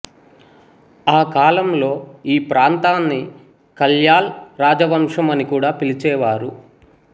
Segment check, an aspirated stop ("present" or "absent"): absent